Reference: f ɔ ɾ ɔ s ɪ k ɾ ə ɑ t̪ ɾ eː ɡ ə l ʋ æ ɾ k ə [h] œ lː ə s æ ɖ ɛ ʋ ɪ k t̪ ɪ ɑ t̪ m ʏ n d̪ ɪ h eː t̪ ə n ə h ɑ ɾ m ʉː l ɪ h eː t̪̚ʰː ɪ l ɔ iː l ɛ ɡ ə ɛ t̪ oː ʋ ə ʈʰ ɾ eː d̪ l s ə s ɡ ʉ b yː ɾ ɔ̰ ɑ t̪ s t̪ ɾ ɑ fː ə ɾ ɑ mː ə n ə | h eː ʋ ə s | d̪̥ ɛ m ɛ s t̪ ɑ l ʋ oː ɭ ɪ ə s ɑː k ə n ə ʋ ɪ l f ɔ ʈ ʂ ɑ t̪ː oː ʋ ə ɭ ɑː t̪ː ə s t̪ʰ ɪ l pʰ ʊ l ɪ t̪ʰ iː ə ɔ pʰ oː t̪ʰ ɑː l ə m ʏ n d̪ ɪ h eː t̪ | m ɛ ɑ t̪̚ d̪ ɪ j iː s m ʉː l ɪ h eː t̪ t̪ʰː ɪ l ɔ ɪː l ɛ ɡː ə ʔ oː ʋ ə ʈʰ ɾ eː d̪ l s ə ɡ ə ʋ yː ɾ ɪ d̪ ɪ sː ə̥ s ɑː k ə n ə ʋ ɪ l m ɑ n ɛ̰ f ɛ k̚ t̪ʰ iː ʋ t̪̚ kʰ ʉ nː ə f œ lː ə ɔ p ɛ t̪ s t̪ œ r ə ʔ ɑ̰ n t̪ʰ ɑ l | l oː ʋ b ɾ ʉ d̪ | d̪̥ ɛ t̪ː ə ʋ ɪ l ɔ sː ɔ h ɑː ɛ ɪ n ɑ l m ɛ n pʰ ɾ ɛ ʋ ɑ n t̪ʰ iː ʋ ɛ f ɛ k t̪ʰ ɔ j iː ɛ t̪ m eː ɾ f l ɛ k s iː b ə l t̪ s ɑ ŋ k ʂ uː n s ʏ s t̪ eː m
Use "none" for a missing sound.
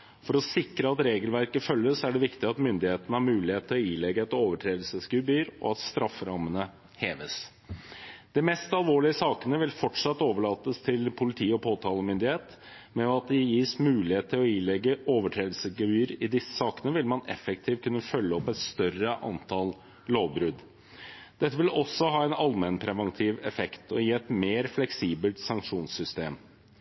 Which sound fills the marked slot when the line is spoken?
f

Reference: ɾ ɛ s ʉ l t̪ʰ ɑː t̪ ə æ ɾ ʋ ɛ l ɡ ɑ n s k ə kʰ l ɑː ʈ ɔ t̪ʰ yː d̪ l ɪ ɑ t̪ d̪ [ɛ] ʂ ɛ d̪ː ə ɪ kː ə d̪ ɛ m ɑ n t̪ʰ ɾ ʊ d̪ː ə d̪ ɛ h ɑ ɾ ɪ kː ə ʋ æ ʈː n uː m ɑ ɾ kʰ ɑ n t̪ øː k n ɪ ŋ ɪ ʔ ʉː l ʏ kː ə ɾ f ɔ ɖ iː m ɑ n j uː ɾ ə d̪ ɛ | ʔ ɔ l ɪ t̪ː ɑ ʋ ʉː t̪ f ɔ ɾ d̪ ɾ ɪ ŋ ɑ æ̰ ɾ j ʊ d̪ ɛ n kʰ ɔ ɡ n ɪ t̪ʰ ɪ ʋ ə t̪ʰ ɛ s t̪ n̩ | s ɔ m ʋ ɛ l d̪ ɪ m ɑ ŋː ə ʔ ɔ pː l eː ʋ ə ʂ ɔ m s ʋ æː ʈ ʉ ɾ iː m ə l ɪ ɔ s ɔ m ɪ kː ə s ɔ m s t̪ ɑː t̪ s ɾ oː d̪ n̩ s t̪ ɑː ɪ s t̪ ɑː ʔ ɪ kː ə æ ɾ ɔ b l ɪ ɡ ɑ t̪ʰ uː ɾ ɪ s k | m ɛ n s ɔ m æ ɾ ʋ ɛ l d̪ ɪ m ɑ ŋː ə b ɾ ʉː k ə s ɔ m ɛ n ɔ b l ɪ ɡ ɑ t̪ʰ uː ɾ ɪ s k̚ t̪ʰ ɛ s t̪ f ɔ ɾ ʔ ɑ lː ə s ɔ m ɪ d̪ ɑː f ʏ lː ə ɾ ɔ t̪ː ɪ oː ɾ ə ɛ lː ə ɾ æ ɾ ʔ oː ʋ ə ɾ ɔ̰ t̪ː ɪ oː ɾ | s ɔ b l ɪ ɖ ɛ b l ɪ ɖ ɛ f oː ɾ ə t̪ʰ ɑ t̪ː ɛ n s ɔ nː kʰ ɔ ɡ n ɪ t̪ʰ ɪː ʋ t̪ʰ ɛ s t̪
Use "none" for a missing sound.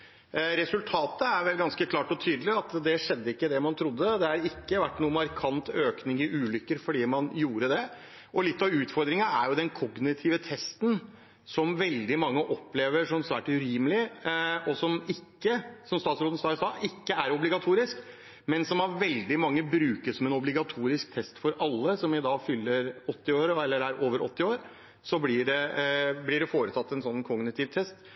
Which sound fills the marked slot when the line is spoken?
ɛ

